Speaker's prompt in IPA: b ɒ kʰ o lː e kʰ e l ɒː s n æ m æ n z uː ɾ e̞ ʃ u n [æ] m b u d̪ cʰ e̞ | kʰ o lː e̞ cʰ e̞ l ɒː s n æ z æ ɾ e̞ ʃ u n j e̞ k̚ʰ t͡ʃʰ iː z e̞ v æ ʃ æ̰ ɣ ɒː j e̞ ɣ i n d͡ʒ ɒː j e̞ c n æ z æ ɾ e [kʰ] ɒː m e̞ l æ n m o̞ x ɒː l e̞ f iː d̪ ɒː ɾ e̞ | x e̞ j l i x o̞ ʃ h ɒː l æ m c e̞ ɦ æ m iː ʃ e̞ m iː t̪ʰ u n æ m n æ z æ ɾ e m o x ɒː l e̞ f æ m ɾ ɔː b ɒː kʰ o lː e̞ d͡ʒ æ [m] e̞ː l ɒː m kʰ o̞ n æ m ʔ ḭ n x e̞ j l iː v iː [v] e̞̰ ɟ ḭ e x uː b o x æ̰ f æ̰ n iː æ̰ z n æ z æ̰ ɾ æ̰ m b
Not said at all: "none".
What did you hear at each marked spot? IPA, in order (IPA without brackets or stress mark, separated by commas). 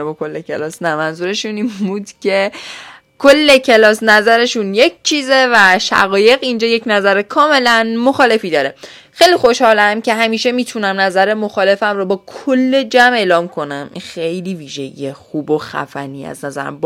i, kʰ, m, ʒ